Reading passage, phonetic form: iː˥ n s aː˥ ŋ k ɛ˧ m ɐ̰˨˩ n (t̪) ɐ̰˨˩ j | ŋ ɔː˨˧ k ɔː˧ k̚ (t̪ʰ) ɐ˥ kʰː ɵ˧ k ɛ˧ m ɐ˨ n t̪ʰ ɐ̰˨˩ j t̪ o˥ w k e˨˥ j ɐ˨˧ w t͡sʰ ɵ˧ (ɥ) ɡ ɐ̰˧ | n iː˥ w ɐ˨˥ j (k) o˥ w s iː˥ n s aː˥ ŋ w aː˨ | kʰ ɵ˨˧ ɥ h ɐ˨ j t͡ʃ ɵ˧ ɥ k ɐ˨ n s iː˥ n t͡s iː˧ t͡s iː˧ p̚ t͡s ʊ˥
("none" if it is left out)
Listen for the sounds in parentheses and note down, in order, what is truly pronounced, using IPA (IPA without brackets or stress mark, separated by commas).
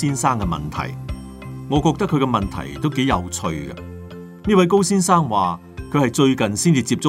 t̪ʰ, t̪, ɥ, k